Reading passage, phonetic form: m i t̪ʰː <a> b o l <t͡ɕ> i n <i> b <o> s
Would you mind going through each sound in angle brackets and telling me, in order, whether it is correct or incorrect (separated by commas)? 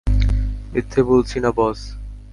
incorrect, incorrect, incorrect, incorrect